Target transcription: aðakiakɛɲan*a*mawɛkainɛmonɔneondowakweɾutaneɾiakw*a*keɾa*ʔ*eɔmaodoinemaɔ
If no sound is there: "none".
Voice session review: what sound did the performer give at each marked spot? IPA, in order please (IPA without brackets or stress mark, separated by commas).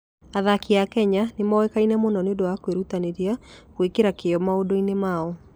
e, e, k